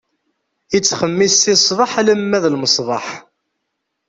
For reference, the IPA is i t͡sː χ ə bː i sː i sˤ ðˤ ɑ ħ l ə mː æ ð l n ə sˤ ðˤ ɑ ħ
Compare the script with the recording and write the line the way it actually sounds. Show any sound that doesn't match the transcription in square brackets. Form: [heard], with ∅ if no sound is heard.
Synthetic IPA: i t͡sː χ ə [mː] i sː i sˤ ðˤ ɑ ħ l ə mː æ ð l [m] ə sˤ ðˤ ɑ ħ